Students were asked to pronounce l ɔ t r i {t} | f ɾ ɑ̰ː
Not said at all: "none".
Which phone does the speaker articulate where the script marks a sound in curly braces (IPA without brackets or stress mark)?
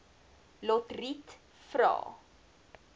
t